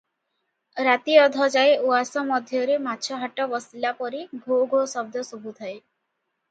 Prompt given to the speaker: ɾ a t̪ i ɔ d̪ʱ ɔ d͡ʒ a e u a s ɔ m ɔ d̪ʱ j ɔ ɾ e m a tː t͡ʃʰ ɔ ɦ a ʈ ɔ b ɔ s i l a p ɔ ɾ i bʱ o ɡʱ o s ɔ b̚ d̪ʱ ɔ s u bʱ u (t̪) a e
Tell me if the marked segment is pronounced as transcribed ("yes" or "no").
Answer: no